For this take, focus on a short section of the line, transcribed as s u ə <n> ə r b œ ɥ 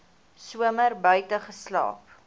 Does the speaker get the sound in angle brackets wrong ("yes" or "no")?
yes